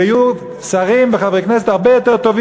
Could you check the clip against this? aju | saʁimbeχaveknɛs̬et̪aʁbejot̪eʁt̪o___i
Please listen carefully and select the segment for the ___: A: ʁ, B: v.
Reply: B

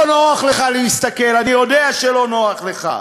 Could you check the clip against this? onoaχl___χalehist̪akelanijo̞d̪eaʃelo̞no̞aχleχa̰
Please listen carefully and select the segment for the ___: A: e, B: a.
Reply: A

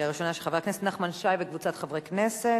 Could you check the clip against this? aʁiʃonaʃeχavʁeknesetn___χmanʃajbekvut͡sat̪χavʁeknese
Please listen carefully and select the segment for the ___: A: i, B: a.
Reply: B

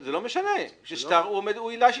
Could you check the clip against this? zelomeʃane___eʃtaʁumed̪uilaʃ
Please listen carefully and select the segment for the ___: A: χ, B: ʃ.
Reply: B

